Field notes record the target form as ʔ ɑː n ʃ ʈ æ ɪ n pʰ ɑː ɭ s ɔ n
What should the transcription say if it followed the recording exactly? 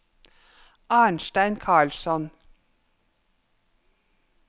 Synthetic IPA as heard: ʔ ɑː ɳ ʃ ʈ æ ɪ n kʰ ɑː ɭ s ɔ n